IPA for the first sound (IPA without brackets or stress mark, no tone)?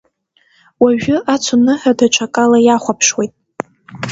w